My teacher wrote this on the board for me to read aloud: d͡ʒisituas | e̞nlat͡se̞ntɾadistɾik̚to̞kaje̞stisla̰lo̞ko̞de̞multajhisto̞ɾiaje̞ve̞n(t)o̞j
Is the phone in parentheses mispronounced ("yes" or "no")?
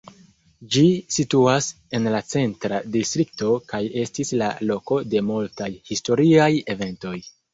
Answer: no